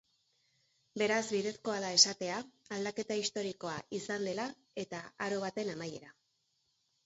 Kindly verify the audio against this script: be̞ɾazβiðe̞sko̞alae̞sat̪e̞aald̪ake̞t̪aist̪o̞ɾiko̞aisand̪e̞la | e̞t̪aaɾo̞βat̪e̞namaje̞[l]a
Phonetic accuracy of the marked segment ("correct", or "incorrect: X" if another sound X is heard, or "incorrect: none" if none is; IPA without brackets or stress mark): incorrect: ɾ